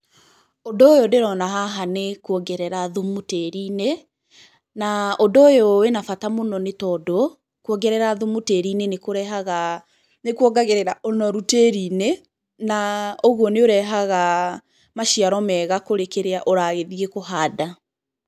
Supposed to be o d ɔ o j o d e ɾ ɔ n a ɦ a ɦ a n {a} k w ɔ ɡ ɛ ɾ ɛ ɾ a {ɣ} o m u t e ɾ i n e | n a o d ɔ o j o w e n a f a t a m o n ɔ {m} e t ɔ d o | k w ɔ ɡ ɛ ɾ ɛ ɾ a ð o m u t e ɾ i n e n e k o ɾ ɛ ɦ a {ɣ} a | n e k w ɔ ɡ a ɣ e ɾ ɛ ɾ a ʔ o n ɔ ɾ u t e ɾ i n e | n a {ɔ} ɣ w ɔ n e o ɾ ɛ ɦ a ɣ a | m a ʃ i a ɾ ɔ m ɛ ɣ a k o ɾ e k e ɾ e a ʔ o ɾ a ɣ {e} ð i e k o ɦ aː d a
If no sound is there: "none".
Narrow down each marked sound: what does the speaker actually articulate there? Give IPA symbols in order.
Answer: e, ð, n, ɣ, o, e

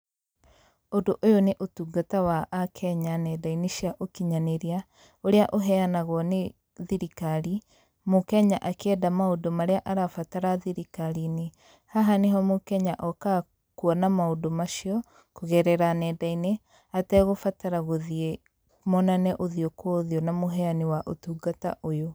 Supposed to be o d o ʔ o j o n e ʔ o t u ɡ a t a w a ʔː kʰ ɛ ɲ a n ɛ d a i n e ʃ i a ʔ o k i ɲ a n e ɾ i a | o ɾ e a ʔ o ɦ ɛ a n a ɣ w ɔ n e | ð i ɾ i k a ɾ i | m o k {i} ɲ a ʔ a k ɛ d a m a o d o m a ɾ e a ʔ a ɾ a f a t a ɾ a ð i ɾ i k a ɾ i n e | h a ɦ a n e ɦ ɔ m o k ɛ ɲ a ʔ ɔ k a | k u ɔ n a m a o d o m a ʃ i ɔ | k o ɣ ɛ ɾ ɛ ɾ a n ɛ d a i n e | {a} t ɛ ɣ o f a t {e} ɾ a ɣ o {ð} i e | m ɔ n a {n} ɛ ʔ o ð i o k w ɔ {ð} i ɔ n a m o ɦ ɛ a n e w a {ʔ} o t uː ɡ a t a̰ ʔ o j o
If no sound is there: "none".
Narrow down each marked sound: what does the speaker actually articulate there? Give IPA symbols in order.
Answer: ɛ, a, a, ð, n, ð, ʔ

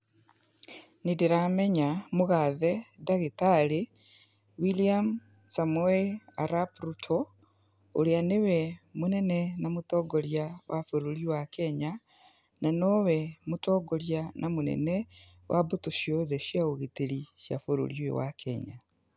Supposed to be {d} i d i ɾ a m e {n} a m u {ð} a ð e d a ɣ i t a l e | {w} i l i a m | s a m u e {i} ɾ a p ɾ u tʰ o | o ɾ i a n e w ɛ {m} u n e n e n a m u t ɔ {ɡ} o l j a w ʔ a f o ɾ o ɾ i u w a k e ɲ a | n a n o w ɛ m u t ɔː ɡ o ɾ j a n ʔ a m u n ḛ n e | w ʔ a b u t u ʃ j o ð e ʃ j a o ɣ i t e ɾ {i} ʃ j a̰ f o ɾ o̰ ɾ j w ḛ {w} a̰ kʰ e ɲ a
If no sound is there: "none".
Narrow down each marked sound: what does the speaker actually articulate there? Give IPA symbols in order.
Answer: n, ɲ, ɣ, w, a, m, ɡ, i, w

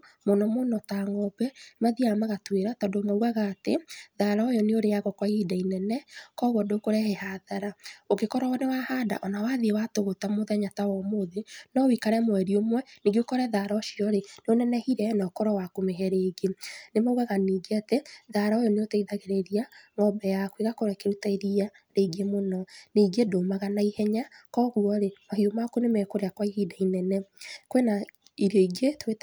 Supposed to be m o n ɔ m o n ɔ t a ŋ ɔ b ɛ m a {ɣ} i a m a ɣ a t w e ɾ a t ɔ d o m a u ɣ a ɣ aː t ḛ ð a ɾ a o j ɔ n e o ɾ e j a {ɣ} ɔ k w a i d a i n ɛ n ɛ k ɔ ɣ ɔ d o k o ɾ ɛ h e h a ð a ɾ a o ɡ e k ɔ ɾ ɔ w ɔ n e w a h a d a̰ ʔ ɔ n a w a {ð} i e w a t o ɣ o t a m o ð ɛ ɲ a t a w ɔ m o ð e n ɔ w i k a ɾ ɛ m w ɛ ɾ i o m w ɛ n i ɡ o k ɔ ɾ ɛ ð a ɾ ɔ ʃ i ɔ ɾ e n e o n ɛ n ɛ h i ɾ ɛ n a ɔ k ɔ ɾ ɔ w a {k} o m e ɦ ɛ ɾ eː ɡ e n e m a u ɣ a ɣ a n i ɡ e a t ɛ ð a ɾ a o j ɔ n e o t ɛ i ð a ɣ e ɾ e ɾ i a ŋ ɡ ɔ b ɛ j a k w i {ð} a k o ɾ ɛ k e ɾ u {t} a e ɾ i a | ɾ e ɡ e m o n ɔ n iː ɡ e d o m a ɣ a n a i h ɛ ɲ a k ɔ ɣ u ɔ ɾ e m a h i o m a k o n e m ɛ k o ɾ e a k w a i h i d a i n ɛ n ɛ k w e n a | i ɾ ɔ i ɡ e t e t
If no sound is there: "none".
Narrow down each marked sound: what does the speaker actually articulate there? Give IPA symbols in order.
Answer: ð, ɣ, ð, k, ɣ, t

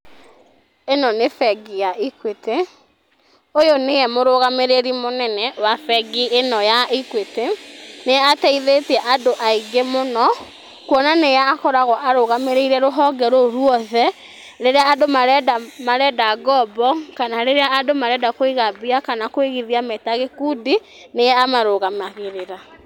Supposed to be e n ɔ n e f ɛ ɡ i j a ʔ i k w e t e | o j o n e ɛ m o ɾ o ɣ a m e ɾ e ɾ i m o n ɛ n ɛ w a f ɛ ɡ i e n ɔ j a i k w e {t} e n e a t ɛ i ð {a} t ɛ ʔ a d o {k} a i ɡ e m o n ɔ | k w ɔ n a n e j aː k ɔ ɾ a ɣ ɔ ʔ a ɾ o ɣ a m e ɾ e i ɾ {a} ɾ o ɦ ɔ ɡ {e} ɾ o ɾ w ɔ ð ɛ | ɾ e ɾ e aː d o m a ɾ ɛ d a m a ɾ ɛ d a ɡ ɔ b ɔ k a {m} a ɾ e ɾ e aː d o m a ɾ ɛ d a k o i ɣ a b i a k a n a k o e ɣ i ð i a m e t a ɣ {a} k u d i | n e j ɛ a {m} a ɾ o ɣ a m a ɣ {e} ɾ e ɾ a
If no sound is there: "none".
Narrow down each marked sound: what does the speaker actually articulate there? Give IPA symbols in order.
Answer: t, e, ʔ, ɛ, ɛ, n, e, m, e

